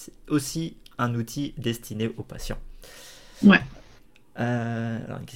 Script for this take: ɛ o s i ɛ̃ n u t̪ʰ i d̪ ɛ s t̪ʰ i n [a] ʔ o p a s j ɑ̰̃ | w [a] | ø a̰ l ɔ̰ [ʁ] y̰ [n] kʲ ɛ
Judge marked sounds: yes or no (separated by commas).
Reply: no, no, yes, yes